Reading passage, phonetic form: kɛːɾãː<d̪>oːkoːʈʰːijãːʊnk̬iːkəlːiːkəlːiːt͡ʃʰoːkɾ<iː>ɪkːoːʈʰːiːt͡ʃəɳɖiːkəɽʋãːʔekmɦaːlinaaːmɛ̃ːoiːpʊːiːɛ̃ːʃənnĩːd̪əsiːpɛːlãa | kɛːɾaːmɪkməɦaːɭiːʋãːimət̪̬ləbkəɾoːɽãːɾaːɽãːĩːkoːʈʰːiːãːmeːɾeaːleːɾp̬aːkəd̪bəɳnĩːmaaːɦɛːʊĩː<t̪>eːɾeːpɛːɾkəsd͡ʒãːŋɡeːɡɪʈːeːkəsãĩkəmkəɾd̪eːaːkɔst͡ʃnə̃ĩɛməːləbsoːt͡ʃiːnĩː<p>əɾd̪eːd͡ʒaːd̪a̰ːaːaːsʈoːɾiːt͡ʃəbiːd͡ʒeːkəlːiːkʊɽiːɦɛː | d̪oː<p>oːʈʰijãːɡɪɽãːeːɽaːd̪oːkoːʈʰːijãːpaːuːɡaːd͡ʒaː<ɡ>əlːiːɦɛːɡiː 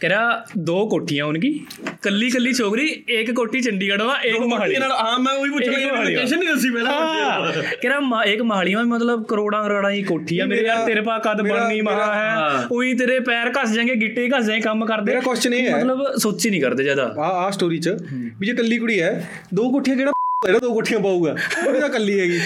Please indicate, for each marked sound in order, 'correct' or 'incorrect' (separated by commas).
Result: correct, correct, correct, incorrect, incorrect, incorrect